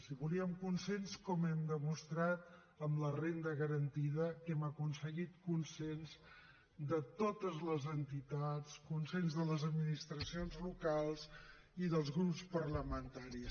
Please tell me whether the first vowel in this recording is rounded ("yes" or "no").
no